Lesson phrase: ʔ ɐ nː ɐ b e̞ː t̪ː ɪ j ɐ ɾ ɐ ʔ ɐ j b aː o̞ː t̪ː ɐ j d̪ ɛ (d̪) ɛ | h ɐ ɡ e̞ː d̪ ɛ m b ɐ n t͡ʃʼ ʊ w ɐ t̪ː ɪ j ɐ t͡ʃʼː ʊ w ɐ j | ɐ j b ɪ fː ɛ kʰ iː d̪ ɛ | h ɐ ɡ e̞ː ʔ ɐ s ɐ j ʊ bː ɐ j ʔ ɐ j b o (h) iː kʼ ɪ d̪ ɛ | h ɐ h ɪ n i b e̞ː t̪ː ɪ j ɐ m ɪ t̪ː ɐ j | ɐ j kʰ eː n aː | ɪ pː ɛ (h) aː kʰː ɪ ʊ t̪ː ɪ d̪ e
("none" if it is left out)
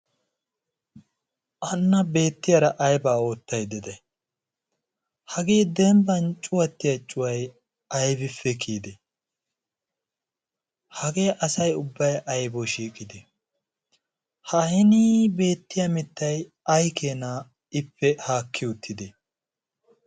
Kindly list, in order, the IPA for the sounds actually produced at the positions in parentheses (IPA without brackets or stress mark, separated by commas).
d̪, ʃ, h